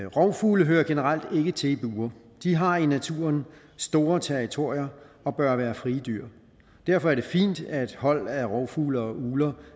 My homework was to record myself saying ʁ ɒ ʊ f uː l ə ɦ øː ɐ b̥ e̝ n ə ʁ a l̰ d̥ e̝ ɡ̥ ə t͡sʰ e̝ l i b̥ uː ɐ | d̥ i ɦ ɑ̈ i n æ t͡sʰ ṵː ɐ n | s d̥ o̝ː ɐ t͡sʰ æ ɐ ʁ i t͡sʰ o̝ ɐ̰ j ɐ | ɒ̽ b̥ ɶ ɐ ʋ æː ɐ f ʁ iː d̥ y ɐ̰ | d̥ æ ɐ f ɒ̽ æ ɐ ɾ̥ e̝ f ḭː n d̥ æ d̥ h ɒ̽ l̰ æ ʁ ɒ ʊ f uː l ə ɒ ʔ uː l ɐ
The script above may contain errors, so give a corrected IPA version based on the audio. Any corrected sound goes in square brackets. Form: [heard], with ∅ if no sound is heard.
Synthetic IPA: ʁ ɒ ʊ f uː l ə ɦ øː ɐ [ɡ̥] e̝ n ə ʁ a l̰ d̥ e̝ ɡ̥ ə t͡sʰ e̝ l i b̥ uː ɐ | d̥ i ɦ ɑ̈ i n æ t͡sʰ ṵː ɐ n | s d̥ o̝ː ɐ t͡sʰ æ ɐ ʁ i t͡sʰ o̝ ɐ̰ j ɐ | ɒ̽ b̥ ɶ ɐ ʋ æː ɐ f ʁ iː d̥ y ɐ̰ | d̥ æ ɐ f ɒ̽ æ ɐ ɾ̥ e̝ f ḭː n d̥ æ d̥ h ɒ̽ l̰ æ ʁ ɒ ʊ f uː l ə ɒ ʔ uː l ɐ